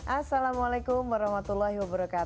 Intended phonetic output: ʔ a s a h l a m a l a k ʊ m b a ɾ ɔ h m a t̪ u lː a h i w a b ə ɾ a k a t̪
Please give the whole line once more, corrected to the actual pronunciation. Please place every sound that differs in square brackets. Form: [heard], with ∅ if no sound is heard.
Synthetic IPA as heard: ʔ a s a [∅] l a m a l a k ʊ m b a ɾ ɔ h m a t̪ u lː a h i w a b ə ɾ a k a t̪